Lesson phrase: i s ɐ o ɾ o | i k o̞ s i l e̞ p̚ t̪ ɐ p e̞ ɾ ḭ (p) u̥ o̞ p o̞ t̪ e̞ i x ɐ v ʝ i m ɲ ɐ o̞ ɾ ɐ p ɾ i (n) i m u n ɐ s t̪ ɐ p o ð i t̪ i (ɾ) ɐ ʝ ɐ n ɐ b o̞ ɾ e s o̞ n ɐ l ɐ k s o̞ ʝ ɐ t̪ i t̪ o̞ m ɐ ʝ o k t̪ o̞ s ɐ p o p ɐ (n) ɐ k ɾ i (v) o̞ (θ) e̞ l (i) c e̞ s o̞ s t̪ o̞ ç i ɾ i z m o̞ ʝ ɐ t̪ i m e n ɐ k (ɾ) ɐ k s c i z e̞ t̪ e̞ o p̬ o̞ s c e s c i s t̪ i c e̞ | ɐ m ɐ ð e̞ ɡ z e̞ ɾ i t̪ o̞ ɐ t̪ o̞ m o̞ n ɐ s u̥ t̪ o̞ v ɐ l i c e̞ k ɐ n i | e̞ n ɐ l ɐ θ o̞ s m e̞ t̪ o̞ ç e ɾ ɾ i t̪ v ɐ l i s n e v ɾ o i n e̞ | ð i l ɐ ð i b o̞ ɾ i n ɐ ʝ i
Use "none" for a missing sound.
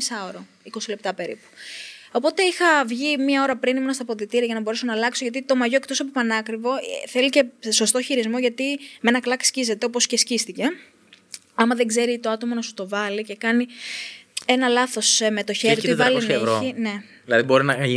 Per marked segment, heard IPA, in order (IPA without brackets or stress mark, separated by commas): p, n, ɾ, n, v, θ, i, l